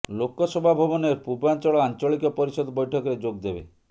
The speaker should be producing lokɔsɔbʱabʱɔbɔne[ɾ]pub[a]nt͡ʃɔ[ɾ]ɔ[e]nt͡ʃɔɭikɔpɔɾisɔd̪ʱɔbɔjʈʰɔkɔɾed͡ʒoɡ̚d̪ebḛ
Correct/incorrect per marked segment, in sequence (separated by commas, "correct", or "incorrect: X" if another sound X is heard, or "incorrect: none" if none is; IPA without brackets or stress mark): correct, correct, incorrect: ɭ, incorrect: a